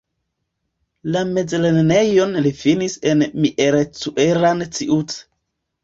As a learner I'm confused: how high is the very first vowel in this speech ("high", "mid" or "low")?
low